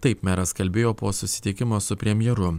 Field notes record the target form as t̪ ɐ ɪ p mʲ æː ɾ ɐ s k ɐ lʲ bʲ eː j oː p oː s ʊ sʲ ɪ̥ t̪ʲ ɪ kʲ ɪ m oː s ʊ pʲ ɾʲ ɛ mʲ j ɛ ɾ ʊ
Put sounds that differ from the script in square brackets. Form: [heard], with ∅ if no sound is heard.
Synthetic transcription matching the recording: t̪ ɐ ɪ p mʲ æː ɾ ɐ s k ɐ lʲ bʲ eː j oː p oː s ʊ sʲ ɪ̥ t̪ʲ ɪ kʲ ɪ m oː s ʊ pʲ ɾʲ ɛ mʲ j ɛ ɾ ʊ